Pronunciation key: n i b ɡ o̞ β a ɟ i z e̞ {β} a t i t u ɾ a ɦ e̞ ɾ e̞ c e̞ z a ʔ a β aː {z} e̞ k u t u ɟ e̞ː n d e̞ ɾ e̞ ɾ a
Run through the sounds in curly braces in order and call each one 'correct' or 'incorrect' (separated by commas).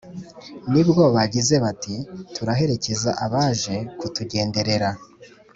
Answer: correct, incorrect